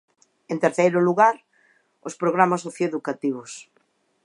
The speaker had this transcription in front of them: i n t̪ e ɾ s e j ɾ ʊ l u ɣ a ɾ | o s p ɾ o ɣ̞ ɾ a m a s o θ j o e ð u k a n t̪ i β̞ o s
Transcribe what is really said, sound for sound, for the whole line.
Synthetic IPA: e n t̪ e ɾ θ e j ɾ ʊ l u ɣ a ɾ | o s p ɾ o ɣ̞ ɾ a m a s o θ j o e ð u k a t̪ i β̞ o s